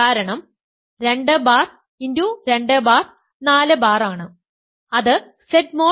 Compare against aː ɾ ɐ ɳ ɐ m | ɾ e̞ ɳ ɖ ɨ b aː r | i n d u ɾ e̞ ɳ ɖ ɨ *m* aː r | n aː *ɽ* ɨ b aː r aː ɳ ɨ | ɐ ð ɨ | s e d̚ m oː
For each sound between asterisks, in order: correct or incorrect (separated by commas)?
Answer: incorrect, incorrect